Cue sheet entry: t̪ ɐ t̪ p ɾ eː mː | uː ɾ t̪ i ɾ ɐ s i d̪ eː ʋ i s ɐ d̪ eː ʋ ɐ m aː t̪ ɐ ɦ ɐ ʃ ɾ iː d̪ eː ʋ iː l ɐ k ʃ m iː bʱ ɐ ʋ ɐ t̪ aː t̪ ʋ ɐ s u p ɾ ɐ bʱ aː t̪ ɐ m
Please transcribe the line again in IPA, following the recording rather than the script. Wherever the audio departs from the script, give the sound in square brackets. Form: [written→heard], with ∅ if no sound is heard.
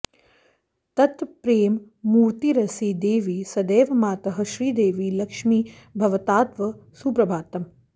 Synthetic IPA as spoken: t̪ ɐ t̪ p ɾ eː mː | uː ɾ t̪ i ɾ ɐ s i d̪ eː ʋ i s ɐ d̪ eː ʋ ɐ m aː t̪ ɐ ɦ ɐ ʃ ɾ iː d̪ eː ʋ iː l ɐ k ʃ m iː bʱ ɐ ʋ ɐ t̪ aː t̪ ʋ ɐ s u p ɾ ɐ bʱ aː t̪ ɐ m